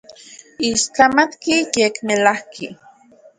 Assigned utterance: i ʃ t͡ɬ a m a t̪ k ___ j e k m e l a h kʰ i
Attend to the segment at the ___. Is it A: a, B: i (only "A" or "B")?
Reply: B